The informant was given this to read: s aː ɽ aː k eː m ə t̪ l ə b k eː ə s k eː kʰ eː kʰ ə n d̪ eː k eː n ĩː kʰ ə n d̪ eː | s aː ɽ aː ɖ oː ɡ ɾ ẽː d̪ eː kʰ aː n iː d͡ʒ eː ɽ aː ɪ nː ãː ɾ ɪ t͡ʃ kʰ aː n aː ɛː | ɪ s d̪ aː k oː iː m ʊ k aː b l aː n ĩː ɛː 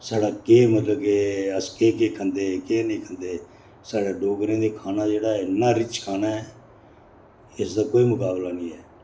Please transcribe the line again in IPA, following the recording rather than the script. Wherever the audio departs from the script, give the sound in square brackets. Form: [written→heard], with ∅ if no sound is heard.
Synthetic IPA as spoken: s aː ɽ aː k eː m ə t̪ l ə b k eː ə s k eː [kʰ→k] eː kʰ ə n d̪ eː k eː n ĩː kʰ ə n d̪ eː | s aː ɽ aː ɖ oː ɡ ɾ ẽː d̪ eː kʰ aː n [iː→aː] d͡ʒ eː ɽ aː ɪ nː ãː ɾ ɪ t͡ʃ kʰ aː n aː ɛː | ɪ s d̪ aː k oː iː m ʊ k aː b l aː n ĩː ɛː